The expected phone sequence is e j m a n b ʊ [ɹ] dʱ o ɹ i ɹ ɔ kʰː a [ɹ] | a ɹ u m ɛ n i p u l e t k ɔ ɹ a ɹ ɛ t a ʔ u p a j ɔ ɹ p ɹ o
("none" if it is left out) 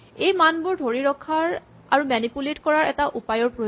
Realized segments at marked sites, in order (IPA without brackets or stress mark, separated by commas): ɹ, ɹ